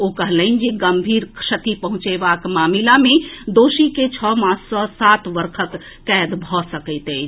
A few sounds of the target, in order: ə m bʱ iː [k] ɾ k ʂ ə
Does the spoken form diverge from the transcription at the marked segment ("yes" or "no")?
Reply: yes